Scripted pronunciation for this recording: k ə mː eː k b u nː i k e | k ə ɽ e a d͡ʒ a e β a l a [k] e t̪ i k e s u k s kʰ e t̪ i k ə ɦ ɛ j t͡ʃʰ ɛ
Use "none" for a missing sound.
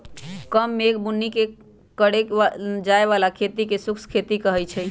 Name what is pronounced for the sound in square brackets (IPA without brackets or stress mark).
kʰ